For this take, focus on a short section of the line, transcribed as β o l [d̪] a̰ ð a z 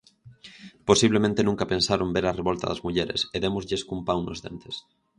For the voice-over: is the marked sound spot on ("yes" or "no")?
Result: no